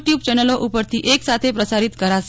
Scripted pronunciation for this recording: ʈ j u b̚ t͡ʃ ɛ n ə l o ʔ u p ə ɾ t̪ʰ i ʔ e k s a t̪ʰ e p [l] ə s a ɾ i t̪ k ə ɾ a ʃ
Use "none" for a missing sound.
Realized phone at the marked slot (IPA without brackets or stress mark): ɾ